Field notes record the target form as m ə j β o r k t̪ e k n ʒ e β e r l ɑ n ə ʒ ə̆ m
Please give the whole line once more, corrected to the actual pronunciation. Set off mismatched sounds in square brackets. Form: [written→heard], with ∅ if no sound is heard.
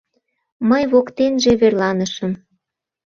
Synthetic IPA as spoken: m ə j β o [r→∅] k t̪ e [k→∅] n ʒ e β e r l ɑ n ə [ʒ→ʃ] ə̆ m